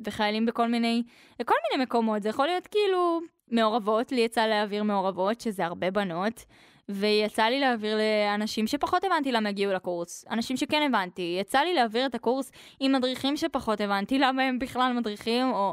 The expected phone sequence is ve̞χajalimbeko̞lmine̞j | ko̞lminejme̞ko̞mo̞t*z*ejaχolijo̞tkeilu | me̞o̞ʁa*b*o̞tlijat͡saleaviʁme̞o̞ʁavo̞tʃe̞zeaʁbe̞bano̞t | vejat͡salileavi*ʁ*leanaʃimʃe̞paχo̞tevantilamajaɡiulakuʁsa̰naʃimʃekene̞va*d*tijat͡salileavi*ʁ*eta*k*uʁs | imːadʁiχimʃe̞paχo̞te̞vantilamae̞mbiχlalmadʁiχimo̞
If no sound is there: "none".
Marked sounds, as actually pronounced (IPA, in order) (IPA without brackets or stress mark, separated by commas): z, v, ʁ, n, ʁ, k